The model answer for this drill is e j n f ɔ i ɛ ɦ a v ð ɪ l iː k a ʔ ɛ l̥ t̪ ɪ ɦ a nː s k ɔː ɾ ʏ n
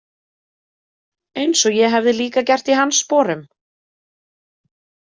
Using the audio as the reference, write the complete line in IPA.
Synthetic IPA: e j n s ɔ j ɛ ɦ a v ð ɪ l iː k a c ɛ r̥ t̪ i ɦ a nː s p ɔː ɾ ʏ m